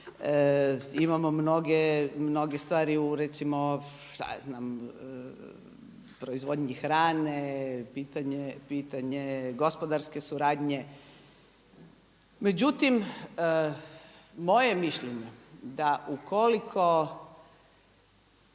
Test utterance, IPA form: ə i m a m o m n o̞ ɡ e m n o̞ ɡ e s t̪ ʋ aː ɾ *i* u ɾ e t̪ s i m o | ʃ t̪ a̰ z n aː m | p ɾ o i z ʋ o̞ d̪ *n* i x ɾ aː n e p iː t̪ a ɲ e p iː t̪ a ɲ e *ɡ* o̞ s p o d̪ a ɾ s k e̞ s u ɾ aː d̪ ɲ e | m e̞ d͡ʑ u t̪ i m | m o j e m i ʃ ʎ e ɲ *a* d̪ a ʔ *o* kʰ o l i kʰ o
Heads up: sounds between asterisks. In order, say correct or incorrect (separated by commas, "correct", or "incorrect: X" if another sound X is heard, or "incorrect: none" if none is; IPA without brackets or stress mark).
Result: correct, incorrect: ɲ, correct, incorrect: e, incorrect: u